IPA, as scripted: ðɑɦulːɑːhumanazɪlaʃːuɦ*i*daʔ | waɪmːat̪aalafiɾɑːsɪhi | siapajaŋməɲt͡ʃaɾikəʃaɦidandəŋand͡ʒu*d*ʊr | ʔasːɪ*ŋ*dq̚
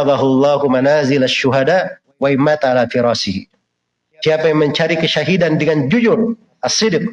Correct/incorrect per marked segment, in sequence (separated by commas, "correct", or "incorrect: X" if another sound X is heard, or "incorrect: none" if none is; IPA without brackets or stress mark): incorrect: a, incorrect: d͡ʒ, incorrect: none